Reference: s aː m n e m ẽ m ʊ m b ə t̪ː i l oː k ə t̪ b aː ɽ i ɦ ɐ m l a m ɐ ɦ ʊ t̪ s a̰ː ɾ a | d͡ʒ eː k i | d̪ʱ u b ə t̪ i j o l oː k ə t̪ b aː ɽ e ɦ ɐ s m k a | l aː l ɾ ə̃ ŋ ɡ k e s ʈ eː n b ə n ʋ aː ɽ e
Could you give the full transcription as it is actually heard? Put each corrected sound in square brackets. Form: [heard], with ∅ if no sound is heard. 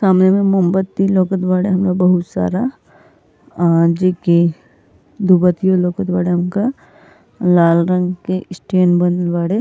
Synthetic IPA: s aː m n e m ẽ m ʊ m b ə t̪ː i l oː k ə t̪ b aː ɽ [e] ɦ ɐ m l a [b] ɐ ɦ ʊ t̪ s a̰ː ɾ a | d͡ʒ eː k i | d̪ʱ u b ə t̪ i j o l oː k ə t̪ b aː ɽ e ɦ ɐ [∅] m k a | l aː l ɾ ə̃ ŋ ɡ k e s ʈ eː n b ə n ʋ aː ɽ e